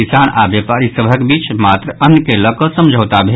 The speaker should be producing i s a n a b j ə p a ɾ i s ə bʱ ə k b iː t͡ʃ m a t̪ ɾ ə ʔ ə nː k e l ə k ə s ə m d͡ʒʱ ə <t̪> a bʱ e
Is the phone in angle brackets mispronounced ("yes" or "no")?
no